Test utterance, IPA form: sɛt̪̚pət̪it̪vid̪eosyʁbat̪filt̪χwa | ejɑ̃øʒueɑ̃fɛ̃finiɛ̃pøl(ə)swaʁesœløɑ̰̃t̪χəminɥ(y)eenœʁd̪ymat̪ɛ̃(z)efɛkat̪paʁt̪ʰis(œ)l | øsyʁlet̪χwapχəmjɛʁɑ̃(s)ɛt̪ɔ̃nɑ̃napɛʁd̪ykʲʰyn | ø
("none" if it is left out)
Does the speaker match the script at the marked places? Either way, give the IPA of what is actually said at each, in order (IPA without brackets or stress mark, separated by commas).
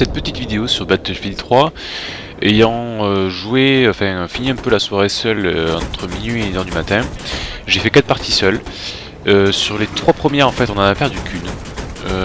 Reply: a, i, ʒ, œ, f